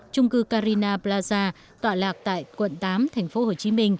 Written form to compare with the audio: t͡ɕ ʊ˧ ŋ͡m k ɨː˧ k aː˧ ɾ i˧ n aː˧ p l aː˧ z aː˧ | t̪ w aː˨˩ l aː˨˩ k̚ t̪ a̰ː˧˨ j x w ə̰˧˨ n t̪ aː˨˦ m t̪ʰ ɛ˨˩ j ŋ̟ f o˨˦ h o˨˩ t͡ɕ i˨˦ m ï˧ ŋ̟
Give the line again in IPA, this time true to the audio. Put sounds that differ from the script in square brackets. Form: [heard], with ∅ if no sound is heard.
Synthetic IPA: t͡ɕ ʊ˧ ŋ͡m k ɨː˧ k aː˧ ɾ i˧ n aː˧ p l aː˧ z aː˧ | t̪ w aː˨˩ l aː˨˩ k̚ t̪ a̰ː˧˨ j [k] w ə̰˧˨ n t̪ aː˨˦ m t̪ʰ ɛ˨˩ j ŋ̟ f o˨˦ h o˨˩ t͡ɕ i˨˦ m ï˧ ŋ̟